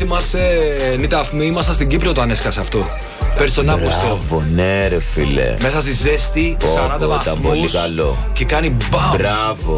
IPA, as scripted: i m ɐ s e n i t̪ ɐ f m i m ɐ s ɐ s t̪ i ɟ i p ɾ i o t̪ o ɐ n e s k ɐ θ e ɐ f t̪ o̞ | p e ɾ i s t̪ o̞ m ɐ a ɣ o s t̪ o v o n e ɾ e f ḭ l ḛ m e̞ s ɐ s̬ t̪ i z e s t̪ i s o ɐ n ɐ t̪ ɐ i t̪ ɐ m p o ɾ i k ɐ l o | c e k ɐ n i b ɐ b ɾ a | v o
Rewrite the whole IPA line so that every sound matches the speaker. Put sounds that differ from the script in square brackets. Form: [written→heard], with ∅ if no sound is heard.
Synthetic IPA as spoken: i m ɐ s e n i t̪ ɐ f m i m ɐ s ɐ s t̪ i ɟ i p ɾ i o t̪ o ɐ n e s k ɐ [θ→s] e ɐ f t̪ o̞ | p e ɾ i s t̪ o̞ [m→n] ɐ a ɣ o s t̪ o v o n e ɾ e f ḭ l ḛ m e̞ s ɐ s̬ t̪ i z e s t̪ i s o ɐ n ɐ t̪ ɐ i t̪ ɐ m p o [ɾ→l] i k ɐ l o | c e k ɐ n i b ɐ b ɾ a | v o